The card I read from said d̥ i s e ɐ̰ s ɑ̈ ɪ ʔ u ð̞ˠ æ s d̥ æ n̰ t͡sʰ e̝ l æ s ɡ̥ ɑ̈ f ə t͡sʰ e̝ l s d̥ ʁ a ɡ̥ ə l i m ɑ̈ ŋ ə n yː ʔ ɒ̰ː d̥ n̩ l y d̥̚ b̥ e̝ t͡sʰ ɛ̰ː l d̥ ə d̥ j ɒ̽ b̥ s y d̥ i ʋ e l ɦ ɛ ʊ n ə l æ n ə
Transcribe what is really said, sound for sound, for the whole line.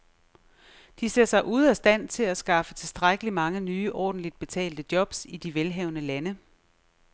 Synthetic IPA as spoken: d̥ i s e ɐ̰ s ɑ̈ ɪ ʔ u ð̞ˠ æ s d̥ æ n̰ t͡sʰ e̝ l æ s ɡ̥ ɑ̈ f ə t͡sʰ e̝ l s d̥ ʁ a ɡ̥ ə l i m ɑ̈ ŋ ə n yː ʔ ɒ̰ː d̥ n̩ l i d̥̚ b̥ e̝ t͡sʰ ɛ̰ː l d̥ ə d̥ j ɒ̽ b̥ s i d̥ i ʋ e l ɦ ɛ ʊ n ə l æ n ə